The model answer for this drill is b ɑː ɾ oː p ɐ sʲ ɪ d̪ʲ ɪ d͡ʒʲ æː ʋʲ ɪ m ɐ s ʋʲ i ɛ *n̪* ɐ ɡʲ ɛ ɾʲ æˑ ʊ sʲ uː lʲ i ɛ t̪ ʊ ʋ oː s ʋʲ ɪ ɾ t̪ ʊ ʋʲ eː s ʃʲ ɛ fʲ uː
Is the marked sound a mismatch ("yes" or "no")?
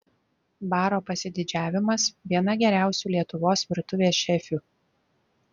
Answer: no